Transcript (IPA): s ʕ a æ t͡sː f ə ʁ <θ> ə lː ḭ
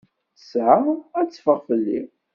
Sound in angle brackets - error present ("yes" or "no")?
yes